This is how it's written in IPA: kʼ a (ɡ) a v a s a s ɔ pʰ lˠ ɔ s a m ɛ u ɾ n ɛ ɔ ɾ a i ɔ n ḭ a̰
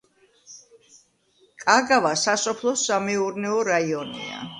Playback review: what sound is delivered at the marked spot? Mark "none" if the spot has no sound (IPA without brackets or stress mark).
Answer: ɡ